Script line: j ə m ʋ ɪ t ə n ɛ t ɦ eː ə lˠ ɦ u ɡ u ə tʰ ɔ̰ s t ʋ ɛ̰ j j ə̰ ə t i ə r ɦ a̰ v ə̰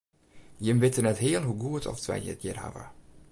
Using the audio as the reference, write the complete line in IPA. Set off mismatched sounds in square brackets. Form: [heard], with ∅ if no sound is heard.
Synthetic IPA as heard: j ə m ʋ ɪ t ə n ɛ t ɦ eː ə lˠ ɦ u ɡ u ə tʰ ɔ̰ [f] t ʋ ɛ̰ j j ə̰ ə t [j] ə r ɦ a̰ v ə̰